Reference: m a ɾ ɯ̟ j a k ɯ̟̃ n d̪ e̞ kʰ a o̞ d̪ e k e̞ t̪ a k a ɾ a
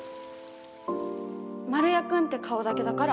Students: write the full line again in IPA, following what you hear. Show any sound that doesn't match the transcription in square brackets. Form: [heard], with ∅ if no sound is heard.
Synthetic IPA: m a ɾ ɯ̟ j a k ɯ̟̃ n [t̪] e̞ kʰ a o̞ d̪ [a] k e̞ [d̪] a k a ɾ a